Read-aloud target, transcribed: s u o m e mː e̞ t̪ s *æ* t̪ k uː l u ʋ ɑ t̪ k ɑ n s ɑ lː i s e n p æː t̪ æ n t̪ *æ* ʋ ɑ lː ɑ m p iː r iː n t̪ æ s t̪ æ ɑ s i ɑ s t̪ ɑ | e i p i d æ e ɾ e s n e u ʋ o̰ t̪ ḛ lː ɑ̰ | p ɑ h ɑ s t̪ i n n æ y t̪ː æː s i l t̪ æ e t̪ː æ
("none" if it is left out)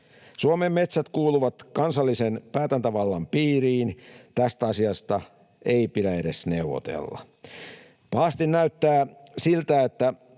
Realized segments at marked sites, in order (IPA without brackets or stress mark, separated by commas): æ, æ